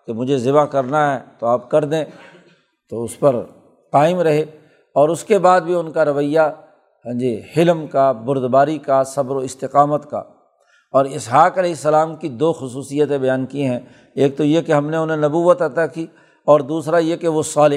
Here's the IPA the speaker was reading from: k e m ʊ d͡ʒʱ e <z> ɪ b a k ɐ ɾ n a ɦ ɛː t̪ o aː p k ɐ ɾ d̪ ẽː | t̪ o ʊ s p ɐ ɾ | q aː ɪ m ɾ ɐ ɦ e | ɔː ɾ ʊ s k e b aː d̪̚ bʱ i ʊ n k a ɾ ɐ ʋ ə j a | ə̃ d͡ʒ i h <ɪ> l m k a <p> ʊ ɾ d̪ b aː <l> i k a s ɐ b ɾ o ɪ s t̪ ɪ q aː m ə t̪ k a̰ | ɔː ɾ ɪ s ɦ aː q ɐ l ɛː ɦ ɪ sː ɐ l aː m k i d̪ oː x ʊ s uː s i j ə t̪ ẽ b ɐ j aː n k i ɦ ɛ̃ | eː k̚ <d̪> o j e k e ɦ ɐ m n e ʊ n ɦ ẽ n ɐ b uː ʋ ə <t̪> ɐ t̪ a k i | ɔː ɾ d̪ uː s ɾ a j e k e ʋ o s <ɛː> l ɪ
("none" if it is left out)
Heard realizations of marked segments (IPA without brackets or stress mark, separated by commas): z, ɪ, b, ɾ, t̪, t̪, aː